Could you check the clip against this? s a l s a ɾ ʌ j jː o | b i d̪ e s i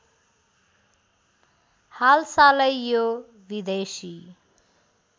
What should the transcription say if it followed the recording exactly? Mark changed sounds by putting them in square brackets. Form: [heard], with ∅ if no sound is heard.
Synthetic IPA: [h] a l s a [l] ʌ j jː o | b i d̪ e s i